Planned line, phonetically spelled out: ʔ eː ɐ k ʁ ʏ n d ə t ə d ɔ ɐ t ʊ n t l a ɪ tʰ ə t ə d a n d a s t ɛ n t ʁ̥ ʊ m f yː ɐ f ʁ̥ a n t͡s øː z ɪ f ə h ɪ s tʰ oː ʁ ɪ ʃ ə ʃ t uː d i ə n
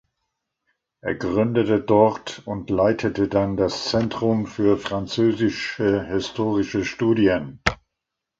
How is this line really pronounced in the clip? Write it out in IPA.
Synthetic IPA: ʔ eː ɐ ɡ ʁ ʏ n d ə t ə d ɔ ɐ t ʊ n t l a ɪ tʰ ə t ə d a n d a s t͡s ɛ n t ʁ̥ ʊ m f yː ɐ f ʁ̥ a n t͡s øː z ɪ ʃ ə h ɪ s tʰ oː ʁ ɪ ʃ ə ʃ t uː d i ə n